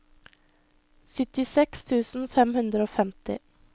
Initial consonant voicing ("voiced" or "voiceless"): voiceless